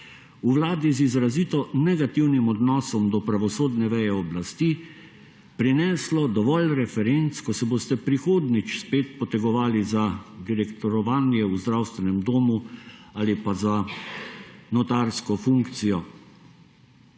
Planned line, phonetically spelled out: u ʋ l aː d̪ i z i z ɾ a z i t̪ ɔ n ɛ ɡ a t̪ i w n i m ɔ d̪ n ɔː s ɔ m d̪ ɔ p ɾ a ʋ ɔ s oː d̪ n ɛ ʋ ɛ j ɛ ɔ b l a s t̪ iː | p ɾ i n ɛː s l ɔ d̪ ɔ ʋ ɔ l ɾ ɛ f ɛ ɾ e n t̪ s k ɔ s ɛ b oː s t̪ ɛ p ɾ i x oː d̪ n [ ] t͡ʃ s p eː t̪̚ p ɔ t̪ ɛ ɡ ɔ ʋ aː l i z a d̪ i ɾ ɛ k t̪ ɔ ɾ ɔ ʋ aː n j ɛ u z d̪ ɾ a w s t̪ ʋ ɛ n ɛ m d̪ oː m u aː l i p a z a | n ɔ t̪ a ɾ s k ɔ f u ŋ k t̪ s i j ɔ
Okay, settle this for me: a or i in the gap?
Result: i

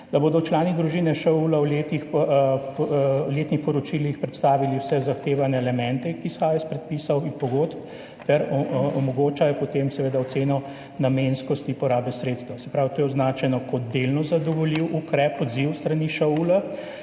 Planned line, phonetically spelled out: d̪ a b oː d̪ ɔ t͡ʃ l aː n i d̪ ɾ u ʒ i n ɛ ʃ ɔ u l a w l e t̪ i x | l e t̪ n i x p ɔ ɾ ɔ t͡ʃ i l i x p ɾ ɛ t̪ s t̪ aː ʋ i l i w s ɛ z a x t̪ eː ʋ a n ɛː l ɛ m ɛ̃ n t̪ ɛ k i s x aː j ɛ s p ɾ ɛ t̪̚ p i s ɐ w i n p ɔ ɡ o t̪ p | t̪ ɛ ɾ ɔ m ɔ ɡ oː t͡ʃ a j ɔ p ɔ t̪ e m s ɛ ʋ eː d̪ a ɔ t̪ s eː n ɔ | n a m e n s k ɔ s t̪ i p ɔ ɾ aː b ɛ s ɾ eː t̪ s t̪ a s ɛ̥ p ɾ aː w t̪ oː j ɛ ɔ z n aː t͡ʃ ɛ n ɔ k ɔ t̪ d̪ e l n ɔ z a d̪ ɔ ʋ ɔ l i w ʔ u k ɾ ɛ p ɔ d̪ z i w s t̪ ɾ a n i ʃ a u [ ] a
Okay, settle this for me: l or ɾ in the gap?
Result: l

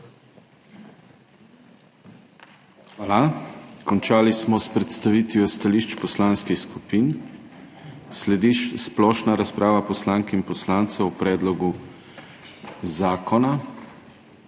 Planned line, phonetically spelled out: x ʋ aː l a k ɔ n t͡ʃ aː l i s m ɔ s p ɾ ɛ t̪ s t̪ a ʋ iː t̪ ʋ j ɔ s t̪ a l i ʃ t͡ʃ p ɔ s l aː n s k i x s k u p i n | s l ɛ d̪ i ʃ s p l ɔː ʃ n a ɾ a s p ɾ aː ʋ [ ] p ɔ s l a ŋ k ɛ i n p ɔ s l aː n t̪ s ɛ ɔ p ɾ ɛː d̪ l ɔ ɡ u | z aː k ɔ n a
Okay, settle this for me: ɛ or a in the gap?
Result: a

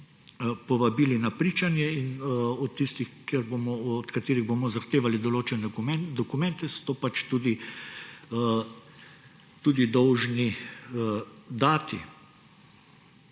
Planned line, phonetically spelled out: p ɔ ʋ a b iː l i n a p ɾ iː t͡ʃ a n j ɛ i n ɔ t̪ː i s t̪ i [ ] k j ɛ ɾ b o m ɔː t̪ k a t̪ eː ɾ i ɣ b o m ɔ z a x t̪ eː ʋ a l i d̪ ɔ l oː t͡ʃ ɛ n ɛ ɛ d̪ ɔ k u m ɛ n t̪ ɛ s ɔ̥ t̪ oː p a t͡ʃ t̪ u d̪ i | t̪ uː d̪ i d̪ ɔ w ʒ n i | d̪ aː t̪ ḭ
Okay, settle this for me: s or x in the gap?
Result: x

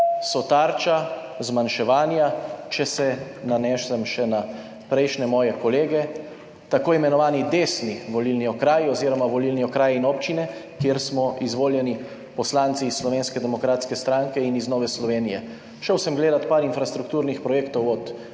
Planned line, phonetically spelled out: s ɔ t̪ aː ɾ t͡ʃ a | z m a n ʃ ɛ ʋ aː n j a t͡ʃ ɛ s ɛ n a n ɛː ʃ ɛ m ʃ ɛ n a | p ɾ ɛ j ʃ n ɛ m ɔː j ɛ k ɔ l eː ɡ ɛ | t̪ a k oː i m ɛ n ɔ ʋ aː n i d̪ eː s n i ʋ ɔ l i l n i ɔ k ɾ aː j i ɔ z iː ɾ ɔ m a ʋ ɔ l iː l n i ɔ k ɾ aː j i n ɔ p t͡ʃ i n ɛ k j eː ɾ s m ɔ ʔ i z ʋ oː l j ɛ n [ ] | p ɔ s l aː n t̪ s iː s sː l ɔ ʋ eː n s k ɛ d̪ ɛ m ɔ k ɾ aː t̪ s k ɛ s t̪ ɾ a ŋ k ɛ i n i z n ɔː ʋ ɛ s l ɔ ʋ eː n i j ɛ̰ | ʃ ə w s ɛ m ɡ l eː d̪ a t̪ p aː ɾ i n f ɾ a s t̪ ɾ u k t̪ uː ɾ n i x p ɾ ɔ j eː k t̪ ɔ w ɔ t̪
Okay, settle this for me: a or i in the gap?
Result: i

